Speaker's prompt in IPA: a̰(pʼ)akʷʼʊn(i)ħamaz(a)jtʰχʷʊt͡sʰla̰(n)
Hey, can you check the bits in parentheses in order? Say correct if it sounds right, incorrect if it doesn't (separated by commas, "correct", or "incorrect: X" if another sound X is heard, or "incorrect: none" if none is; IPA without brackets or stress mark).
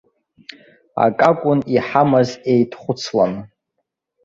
incorrect: kʼ, correct, incorrect: e, correct